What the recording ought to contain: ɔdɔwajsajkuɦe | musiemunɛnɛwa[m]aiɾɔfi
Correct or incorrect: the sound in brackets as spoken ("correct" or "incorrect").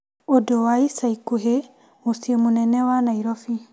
incorrect